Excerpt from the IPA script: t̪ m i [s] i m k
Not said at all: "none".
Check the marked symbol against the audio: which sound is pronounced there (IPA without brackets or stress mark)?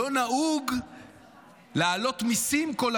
s